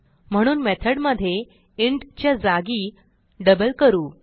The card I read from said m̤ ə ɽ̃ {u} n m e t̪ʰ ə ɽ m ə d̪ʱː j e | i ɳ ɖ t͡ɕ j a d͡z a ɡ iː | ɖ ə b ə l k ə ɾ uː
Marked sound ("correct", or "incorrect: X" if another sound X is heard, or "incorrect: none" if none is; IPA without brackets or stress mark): incorrect: uː